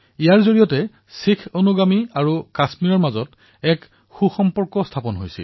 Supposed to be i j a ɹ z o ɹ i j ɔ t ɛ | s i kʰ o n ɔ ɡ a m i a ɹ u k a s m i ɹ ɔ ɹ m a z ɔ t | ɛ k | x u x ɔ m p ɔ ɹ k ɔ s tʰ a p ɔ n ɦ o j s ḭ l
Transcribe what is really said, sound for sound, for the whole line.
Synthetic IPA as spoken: i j a ɹ z o ɹ i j ɔ t ɛ | s i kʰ o n u ɡ a m i a ɹ u k a s m i ɹ ɔ ɹ m a z ɔ t | ɛ k | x u x ɔ m p ɔ ɹ k ɔ s tʰ a p ɔ n ɦ o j s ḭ l

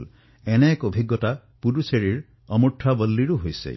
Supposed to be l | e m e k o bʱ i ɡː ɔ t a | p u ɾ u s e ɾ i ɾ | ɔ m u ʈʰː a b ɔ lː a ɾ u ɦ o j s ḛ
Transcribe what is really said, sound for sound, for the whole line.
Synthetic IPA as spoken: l | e n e k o bʱ i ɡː ɔ t a | p u ɾ u s e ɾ i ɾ | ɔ m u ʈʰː a b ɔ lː i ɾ u ɦ o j s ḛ

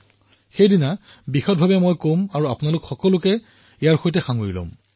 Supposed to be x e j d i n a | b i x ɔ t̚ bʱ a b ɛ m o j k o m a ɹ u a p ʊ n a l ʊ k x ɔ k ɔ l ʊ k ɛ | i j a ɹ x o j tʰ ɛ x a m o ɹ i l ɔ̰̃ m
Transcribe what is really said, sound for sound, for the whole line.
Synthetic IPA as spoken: x e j d i n a | b i x ɔ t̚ bʱ a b ɛ m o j k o m a ɹ u a p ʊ n a l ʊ k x ɔ k ɔ l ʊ k ɛ | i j a ɹ x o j t ɛ x a ŋ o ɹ i l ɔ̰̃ m

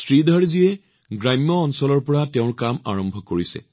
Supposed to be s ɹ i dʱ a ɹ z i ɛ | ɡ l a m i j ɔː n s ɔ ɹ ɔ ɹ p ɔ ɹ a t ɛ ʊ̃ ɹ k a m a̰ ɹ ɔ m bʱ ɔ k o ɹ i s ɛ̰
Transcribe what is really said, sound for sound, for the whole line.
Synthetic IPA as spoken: s ɹ i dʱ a ɹ z i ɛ | ɡ ɹ a m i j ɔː n s ɔ l ɔ ɹ p ɔ ɹ a t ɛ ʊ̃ ɹ k a m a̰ ɹ ɔ m bʱ ɔ k o ɹ i s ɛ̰

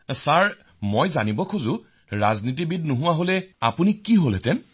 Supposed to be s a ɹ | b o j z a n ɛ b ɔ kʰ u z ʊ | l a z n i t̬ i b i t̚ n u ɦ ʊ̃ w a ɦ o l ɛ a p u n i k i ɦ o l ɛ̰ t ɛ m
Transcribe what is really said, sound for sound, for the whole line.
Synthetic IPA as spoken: s a ɹ | m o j z a n i b ɔ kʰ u z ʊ | ɹ a z n i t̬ i b i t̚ n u ɦ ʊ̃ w a ɦ o l ɛ a p u n i k i ɦ o l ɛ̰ t ɛ n

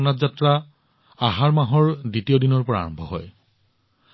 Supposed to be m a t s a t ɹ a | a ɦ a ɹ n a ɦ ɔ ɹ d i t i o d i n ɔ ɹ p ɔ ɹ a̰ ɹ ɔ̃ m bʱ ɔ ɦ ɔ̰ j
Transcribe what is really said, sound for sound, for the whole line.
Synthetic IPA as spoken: n a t z a t ɹ a | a ɦ a ɹ m a ɦ ɔ ɹ d i t i o d i n ɔ ɹ p ɔ ɹ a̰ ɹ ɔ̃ m bʱ ɔ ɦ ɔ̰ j

